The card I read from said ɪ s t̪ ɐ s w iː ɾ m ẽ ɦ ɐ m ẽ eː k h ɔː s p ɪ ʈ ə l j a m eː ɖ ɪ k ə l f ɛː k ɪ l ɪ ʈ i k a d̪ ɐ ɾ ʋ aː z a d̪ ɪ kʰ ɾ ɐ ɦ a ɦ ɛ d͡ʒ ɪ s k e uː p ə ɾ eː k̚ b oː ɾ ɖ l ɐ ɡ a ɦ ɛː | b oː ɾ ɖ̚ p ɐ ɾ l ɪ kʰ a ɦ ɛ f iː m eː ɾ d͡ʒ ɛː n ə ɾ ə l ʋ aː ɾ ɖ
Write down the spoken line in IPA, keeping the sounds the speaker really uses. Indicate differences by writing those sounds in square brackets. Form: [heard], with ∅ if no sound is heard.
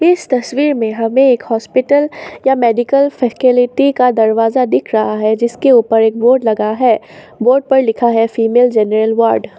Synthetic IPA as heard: ɪ s t̪ ɐ s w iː ɾ m ẽ ɦ ɐ m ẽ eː k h ɔː s p ɪ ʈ ə l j a m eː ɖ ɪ k ə l f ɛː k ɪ l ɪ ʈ i k a d̪ ɐ ɾ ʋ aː z a d̪ ɪ kʰ ɾ ɐ ɦ a ɦ ɛ d͡ʒ ɪ s k e uː p ə ɾ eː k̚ b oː ɾ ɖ l ɐ ɡ a ɦ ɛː | b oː ɾ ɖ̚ p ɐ ɾ l ɪ kʰ a ɦ ɛ f iː m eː [l] d͡ʒ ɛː n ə ɾ ə l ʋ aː ɾ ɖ